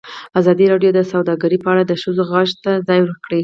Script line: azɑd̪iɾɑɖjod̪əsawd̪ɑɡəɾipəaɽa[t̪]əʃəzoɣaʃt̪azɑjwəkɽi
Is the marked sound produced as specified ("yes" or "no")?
no